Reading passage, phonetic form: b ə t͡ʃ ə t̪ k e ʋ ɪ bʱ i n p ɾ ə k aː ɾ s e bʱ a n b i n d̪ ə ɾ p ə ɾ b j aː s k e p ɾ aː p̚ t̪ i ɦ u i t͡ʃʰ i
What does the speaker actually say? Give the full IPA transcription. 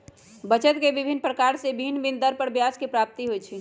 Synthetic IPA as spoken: b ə t͡ʃ ə t̪ k e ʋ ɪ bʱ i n p ɾ ə k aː ɾ s e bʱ i n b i n d̪ ə ɾ p ə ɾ b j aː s k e p ɾ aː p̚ t̪ i ɦ o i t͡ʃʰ i